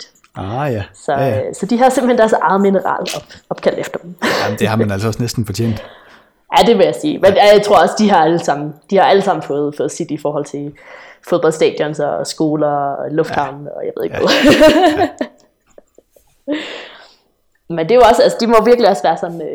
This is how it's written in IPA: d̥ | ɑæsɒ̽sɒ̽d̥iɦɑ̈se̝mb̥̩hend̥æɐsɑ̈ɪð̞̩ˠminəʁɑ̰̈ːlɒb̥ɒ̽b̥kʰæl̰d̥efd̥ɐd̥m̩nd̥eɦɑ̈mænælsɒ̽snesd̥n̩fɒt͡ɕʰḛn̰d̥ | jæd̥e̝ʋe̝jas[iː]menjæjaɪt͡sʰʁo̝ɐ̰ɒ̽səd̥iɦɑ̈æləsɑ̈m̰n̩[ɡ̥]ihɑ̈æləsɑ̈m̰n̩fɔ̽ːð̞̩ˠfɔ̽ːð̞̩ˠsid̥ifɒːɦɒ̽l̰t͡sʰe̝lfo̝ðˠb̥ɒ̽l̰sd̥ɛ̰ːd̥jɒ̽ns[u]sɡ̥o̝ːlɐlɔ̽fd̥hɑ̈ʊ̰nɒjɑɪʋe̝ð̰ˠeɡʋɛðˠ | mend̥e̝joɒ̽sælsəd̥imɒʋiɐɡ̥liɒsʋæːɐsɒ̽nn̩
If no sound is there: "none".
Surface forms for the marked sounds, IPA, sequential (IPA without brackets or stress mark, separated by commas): iː, d̥, ɒ